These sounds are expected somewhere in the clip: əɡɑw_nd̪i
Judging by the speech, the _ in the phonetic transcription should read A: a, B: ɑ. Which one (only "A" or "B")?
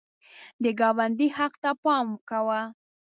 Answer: A